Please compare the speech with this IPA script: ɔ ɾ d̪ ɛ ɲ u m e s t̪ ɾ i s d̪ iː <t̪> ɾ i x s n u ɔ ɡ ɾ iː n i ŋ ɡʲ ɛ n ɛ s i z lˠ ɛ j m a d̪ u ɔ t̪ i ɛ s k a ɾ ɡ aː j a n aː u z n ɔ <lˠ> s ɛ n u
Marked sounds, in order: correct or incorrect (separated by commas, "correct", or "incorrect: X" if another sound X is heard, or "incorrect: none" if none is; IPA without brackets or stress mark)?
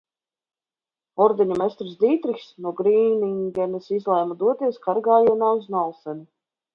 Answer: correct, correct